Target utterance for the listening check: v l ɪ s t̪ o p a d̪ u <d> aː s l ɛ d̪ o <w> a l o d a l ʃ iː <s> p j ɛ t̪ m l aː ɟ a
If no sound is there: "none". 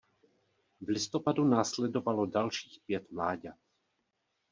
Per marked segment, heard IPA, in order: n, v, x

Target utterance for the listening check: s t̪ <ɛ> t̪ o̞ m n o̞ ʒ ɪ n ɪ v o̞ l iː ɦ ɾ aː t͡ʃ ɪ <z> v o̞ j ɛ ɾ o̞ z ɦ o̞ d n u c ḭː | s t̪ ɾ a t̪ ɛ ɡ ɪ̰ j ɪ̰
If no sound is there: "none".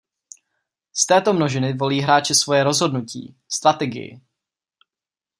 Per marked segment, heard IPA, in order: ɛː, s

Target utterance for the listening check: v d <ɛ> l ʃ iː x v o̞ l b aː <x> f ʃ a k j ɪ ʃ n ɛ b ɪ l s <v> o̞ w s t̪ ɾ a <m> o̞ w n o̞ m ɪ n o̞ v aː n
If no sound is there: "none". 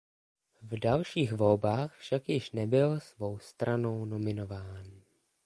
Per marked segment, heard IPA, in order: a, x, v, n

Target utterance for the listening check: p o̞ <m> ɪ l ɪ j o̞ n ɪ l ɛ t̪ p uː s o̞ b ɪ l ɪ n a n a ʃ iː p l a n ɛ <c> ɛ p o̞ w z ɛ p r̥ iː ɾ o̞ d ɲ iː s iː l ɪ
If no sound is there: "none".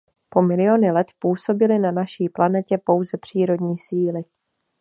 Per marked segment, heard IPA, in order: m, c

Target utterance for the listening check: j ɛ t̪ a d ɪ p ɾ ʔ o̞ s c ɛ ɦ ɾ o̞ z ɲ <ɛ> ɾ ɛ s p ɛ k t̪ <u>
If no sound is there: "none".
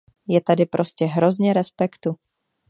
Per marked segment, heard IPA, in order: ɛ, u

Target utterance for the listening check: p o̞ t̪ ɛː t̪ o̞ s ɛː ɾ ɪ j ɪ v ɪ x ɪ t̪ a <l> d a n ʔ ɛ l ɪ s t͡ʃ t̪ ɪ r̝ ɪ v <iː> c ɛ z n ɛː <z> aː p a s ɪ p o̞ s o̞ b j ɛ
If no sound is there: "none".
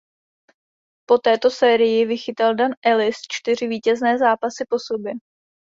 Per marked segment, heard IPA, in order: l, iː, z

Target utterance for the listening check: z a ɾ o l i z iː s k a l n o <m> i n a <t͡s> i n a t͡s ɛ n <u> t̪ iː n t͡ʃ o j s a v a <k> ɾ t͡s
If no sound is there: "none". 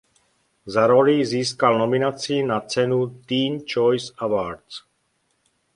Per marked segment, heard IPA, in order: m, t͡s, u, none

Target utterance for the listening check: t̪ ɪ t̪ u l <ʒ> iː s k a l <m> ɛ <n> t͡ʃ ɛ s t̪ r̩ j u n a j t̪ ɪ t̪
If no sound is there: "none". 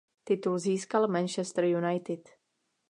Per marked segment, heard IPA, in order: z, m, n

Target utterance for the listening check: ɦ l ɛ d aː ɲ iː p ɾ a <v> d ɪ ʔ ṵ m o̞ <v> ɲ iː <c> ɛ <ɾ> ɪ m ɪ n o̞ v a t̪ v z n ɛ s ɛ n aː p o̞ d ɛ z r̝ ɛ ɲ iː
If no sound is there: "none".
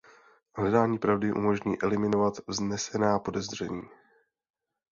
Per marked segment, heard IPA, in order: v, ʒ, ʔ, l

